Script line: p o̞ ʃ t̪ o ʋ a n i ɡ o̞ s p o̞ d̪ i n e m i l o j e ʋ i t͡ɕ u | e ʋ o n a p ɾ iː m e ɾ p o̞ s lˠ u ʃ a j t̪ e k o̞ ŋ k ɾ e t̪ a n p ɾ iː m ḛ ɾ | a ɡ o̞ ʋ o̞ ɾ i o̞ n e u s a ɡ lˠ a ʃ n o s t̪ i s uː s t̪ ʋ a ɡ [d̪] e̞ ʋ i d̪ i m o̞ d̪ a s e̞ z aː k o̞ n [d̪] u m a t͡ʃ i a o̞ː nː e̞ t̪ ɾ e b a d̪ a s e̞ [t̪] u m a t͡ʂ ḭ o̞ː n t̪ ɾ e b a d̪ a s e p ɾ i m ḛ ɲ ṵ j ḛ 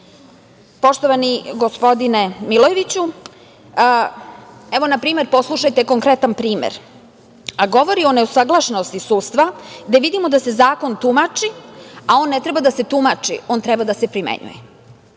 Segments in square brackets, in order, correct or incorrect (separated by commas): correct, incorrect, correct